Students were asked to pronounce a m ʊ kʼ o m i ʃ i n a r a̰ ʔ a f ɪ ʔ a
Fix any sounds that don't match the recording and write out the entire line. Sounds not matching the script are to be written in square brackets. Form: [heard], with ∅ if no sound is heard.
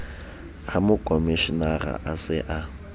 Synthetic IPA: a m ʊ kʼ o m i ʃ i n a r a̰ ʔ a [s] ɪ ʔ a